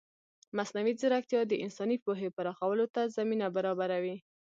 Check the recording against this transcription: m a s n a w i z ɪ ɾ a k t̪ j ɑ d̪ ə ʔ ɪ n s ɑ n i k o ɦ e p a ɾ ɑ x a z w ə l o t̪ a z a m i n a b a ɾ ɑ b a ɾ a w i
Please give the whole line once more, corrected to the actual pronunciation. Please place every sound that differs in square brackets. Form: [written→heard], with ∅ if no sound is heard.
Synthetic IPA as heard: m a s n a w i z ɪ ɾ a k t̪ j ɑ d̪ ə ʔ ɪ n s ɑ n i [k→p] o ɦ e p a ɾ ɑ x a [z→∅] w ə l o t̪ a z a m i n a b a ɾ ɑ b a ɾ a w i